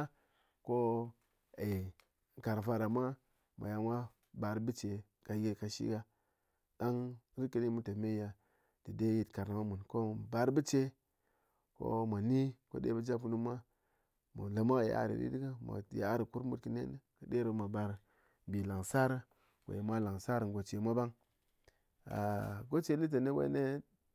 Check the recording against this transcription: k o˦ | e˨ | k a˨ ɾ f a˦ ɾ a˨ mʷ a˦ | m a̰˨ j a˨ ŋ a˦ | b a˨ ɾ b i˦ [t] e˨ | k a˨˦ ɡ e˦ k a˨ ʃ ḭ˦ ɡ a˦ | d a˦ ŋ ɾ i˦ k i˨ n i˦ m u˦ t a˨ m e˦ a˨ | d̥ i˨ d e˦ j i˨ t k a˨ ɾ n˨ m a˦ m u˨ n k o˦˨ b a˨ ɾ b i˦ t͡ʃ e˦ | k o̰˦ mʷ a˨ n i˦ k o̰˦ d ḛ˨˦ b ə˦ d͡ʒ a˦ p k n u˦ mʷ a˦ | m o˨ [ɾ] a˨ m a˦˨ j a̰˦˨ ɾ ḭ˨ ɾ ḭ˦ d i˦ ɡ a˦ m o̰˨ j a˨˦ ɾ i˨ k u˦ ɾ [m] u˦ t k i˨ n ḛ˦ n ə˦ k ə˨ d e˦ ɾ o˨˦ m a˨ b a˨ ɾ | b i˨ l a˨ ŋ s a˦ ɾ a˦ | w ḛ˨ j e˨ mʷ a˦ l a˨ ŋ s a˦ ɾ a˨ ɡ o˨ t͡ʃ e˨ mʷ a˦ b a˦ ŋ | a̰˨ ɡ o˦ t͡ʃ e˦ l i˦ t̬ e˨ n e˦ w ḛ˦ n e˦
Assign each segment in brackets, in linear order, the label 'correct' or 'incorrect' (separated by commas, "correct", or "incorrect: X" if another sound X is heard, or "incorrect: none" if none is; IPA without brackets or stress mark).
incorrect: t͡ʃ, incorrect: l, correct